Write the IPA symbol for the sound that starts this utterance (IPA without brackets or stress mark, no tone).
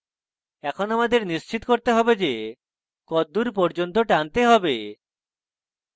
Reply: ɛ